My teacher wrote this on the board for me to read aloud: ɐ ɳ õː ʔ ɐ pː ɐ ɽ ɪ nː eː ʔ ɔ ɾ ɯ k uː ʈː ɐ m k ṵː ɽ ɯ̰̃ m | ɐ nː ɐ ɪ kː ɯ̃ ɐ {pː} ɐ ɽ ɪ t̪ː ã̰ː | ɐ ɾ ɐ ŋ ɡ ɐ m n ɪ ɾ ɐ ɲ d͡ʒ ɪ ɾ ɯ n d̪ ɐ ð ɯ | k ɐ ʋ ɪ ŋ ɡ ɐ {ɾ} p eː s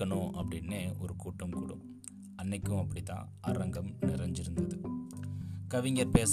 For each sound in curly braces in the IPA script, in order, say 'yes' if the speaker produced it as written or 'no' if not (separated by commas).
yes, yes